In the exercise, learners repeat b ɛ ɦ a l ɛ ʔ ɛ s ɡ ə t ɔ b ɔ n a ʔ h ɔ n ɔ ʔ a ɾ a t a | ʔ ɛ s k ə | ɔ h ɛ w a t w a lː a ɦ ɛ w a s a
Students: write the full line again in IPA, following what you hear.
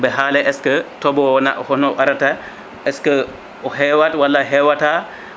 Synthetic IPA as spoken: b ɛ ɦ a l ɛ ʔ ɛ s k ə t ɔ b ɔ n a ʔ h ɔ n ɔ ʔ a ɾ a t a | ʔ ɛ s k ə | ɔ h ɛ w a t w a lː a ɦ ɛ w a t a